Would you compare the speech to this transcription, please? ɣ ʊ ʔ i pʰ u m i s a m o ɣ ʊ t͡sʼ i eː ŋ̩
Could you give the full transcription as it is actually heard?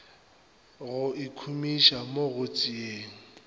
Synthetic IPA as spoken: ɣ ʊ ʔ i kʰ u m i ʃ a m o ɣ ʊ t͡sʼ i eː ŋ̩

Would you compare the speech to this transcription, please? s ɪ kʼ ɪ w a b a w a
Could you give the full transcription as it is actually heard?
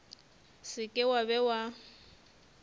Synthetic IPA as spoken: s ɪ kʼ ɪ w a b ɛ w a

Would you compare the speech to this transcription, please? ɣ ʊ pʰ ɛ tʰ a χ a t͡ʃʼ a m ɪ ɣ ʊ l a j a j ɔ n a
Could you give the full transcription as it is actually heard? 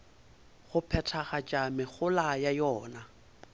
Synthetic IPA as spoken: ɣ ʊ pʰ ɛ tʰ a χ a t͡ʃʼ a m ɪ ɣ ʊ l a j a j ɔː n a

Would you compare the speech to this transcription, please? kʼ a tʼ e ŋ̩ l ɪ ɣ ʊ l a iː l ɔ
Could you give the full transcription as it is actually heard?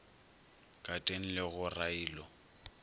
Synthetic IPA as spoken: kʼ a tʼ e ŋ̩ l ɪ ɣ ʊ r a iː l ɔ

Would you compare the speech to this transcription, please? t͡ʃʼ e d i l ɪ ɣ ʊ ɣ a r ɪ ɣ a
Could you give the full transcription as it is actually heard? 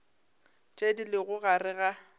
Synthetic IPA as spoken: t͡ʃʼ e d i l ɪ ɣ ʊ ɣ a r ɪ ɣ a

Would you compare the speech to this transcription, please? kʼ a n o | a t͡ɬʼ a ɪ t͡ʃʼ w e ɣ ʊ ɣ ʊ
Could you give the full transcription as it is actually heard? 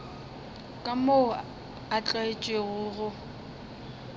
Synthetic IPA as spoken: kʼ a m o | a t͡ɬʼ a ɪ t͡ʃʼ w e ɣ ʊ ɣ ʊ

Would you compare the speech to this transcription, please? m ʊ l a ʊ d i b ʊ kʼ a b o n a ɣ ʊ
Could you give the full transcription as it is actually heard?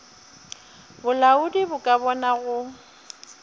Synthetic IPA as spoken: b ʊ l a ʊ d i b ʊ kʼ a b ɔ n a ɣ ʊ

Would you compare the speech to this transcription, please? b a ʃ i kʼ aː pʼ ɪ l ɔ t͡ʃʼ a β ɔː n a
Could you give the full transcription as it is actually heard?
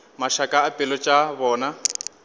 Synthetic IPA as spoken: m a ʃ a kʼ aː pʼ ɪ l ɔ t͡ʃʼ a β ɔː n a

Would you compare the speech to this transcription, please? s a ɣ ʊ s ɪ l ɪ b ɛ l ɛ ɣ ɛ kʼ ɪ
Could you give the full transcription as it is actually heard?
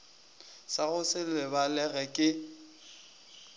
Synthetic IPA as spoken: s a ɣ ʊ s ɪ l ɪ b a l ɛ ɣ ɛ kʼ ɪ

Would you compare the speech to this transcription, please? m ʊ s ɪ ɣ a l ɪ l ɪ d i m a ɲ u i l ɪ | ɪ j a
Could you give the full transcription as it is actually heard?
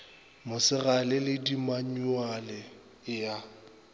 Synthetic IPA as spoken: m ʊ s ɪ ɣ a l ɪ l ɪ d i m a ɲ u a l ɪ | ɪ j a

